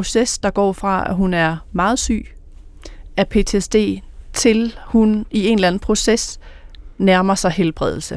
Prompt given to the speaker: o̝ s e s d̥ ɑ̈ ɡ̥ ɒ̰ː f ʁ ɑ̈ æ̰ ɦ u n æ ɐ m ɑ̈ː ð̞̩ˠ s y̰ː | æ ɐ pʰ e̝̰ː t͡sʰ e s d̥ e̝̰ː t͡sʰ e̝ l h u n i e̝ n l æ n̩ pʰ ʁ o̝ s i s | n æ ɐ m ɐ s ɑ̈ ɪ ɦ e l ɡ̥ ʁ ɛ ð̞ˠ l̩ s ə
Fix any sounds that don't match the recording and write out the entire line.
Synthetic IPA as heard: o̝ s e s d̥ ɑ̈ ɡ̥ ɒ̰ː f ʁ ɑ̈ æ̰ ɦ u n æ ɐ m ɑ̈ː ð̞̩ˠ s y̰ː | æ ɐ pʰ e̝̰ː t͡sʰ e s d̥ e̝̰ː t͡sʰ e̝ l h u n i e̝ n l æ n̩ pʰ ʁ o̝ s e s | n æ ɐ m ɐ s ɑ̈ ɪ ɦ e l b̥ ʁ ɛ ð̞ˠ l̩ s ə